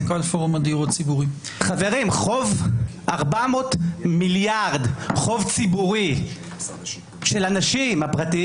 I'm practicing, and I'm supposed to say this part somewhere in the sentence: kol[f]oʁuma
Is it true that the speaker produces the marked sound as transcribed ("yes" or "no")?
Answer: yes